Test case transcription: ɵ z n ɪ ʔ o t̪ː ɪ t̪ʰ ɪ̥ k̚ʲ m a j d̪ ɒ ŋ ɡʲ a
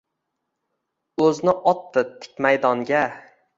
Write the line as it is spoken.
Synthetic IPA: ɵ z n ɪ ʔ ɒ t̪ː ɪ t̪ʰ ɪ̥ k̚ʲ m a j d̪ ɒ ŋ ɡʲ a

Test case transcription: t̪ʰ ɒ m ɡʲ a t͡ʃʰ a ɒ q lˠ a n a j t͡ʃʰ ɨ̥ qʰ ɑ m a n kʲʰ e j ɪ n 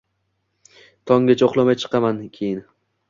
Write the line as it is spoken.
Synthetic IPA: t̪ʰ ɒ ŋ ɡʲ a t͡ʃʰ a o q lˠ a m a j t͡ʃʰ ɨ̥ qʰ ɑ m a n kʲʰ e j ɪ n

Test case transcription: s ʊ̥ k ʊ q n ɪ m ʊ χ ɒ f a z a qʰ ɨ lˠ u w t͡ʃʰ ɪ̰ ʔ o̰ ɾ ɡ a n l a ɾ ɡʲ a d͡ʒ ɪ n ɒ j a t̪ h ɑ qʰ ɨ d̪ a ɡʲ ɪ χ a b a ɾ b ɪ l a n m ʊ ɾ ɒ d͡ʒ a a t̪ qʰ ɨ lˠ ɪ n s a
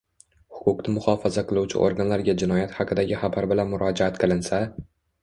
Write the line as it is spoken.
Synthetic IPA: h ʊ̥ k ʊ q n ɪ m ʊ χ ɒ f a z a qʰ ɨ lˠ u w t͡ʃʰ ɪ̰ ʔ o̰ ɾ ɡ a n l a ɾ ɡʲ a d͡ʒ ɪ n ɒ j a t̪ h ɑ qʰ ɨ d̪ a ɡʲ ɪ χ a b a ɾ b ɪ l a n m ʊ ɾ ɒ d͡ʒ a a t̪ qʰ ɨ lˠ ɪ n s a

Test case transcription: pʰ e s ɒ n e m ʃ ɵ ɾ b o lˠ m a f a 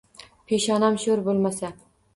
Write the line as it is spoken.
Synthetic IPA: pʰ e ʃ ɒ n a m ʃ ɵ ɾ b o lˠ m a s a

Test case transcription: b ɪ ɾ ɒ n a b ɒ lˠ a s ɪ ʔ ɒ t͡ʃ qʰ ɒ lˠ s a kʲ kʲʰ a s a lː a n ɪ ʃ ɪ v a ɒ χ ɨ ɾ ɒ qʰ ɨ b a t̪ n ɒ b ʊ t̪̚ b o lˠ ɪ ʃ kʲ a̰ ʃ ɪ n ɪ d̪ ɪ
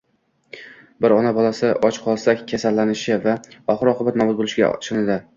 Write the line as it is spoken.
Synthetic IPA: b ɪ ɾ ɒ n a b ɒ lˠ a s ɪ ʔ ɒ t͡ʃ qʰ ɒ lˠ s a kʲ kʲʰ a s a lː a n ɪ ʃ ɪ v a ɒ χ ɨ ɾ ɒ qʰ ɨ b a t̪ n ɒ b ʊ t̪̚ b o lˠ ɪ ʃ ɡʲ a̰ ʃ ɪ n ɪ d̪ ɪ

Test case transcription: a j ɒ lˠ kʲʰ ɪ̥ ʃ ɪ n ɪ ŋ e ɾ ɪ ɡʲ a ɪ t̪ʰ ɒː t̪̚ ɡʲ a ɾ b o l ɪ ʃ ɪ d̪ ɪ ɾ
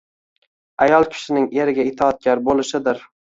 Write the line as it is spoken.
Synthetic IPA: a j ɒ lˠ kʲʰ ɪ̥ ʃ ɪ n ɪ ŋ e ɾ ɪ ɡʲ a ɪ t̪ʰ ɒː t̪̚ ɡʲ a ɾ b o l ɪ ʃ ɪ d̪ ɪ ɾ

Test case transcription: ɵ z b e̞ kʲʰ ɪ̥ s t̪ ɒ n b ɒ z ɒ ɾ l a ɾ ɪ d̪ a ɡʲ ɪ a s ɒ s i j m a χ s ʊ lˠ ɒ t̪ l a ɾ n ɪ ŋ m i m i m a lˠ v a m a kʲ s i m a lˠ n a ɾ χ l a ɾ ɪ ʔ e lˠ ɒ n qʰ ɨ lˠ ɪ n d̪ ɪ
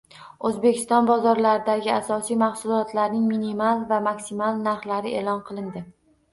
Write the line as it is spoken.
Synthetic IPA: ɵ z b e̞ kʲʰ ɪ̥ s t̪ ɒ n b ɒ z ɒ ɾ l a ɾ ɪ d̪ a ɡʲ ɪ a s ɒ s i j m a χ s ʊ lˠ ɒ t̪ l a ɾ n ɪ ŋ m i n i m a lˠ v a m a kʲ s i m a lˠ n a ɾ χ l a ɾ ɪ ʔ e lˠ ɒ n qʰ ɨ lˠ ɪ n d̪ ɪ

